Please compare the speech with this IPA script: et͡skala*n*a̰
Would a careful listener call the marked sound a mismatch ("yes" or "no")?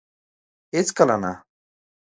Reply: no